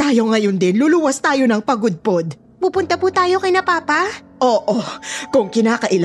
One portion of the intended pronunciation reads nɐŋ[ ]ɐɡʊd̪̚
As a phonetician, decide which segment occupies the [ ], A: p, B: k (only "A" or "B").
A